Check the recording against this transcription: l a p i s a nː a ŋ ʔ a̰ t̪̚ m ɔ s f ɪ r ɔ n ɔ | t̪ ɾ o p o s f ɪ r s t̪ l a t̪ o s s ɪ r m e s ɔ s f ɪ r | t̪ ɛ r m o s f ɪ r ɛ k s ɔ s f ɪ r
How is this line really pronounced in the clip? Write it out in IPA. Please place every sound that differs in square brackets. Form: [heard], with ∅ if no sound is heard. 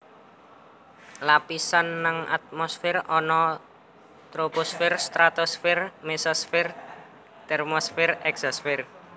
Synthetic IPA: l a p i s a nː a ŋ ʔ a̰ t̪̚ m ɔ s f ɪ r ɔ n ɔ | t̪ ɾ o p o s f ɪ r s t̪ [ɾ] a t̪ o s [f] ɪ r m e s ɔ s f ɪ r | t̪ ɛ r m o s f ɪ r ɛ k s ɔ s f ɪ r